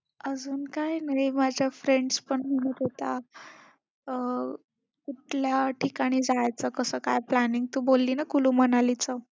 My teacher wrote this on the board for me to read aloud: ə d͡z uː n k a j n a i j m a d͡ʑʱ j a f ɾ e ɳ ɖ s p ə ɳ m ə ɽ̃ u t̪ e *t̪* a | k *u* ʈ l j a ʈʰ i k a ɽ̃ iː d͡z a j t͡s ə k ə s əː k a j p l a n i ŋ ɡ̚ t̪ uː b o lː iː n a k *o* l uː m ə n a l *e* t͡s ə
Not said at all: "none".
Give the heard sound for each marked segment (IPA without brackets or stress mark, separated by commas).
t̪, u, u, i